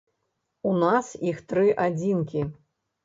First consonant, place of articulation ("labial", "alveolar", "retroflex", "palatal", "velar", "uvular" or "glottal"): alveolar